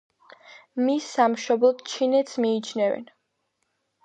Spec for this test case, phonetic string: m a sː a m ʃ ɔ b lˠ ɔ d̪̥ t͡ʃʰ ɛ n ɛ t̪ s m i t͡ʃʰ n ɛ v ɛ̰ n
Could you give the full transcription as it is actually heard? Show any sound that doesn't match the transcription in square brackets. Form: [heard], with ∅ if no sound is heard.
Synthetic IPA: m [i] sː a m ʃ ɔ b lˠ ɔ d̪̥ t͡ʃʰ [i] n ɛ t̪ s m [iː] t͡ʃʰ n ɛ v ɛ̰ n